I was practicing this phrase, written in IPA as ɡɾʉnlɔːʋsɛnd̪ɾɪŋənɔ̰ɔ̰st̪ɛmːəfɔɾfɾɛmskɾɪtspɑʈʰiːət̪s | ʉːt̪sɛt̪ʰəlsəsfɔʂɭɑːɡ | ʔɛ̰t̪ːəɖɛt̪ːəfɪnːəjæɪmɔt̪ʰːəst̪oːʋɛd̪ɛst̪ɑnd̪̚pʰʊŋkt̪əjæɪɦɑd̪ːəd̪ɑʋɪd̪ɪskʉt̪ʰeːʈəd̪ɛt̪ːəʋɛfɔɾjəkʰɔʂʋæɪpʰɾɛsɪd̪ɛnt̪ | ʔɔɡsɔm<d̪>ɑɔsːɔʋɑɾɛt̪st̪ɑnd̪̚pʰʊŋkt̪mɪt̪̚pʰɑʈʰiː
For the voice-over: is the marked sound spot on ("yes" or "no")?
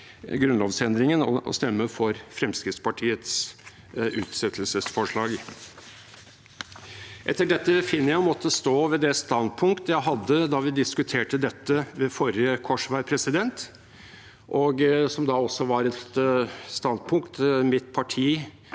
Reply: yes